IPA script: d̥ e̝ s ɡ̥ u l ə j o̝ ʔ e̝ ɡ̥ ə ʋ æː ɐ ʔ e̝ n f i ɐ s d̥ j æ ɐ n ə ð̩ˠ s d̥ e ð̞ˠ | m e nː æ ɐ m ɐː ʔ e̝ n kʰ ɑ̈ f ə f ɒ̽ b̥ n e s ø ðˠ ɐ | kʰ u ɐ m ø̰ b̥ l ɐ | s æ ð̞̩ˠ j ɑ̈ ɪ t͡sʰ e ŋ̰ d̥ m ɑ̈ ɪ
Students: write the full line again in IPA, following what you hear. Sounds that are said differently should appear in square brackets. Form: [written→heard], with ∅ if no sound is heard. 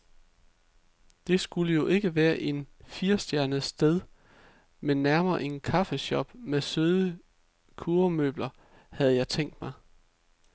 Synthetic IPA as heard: d̥ e̝ s ɡ̥ u l ə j o̝ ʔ e̝ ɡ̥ ə ʋ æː ɐ ʔ e̝ n f i ɐ s d̥ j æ ɐ n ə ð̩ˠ s d̥ e ð̞ˠ | m e nː æ ɐ m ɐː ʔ e̝ n kʰ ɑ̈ f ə [f→ɕ] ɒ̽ b̥ [n→m] e s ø ðˠ [ɐ→ə] | kʰ u ɐ m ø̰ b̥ l ɐ | [s→h] æ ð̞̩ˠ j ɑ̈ ɪ t͡sʰ e ŋ̰ d̥ m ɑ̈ ɪ